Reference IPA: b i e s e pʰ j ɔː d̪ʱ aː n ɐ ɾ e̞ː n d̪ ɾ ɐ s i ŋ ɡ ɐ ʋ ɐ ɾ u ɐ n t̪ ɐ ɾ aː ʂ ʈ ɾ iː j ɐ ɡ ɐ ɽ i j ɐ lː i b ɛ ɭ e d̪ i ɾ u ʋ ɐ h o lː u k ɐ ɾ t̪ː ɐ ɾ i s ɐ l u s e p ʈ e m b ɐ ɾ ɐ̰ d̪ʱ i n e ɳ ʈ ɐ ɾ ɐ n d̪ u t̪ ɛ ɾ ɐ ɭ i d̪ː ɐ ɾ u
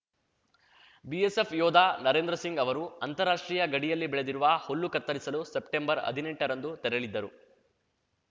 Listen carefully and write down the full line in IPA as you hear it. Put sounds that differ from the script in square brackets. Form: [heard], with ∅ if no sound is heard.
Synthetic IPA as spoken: b i e s e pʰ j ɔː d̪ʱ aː n ɐ ɾ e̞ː n d̪ ɾ ɐ s i ŋ ɡ ɐ ʋ ɐ ɾ u ɐ n t̪ ɐ ɾ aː ʂ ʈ ɾ iː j ɐ ɡ ɐ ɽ i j ɐ lː i b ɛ ɭ e d̪ i ɾ u ʋ ɐ h o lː u k ɐ ɾ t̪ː ɐ ɾ i s ɐ l u s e p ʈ e m b ɐ ɾ ɐ̰ d̪ʱ i n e ɳ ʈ ɐ ɾ ɐ n d̪ u t̪ ɛ ɾ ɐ ɭ i d̪ː ɐ ɾ u

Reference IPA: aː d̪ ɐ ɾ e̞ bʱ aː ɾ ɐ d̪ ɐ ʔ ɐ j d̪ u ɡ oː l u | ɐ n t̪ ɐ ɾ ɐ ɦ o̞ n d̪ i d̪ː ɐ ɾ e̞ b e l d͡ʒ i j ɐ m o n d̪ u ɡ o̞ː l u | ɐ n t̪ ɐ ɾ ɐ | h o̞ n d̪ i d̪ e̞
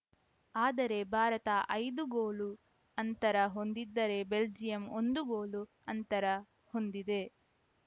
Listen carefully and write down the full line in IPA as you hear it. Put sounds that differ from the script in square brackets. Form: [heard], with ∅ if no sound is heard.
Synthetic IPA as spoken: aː d̪ ɐ ɾ e̞ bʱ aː ɾ ɐ [t̪] ɐ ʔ ɐ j d̪ u ɡ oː l u | ɐ n t̪ ɐ ɾ ɐ ɦ o̞ n d̪ i d̪ː ɐ ɾ e̞ b e l d͡ʒ i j ɐ m o n d̪ u ɡ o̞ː l u | ɐ n t̪ ɐ ɾ ɐ | h o̞ n d̪ i d̪ e̞

